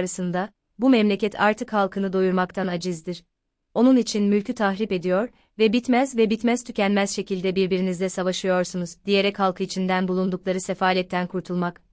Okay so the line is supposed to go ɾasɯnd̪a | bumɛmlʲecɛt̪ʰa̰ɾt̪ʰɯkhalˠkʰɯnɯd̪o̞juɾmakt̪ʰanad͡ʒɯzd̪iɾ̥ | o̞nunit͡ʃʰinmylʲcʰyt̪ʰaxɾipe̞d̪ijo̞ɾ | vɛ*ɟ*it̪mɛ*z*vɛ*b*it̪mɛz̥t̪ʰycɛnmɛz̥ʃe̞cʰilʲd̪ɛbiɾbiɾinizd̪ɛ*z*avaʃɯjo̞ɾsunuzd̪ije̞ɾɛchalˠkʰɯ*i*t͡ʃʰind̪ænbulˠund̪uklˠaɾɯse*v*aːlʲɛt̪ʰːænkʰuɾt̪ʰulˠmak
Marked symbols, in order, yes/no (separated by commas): no, yes, yes, no, yes, no